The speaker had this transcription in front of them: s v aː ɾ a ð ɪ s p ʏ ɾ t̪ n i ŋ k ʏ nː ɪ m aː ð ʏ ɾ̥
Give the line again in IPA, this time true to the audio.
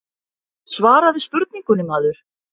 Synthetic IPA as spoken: s v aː ɾ a ð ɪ s p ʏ ɾ t̪ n i ŋ k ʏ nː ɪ m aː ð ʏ ɾ̥